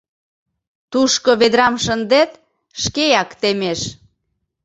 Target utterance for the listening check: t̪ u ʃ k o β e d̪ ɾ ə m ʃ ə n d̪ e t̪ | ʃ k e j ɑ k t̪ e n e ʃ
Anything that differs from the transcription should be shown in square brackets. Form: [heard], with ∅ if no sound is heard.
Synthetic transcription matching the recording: t̪ u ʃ k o β e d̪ ɾ [ɑ] m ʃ ə n d̪ e t̪ | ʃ k e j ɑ k t̪ e [m] e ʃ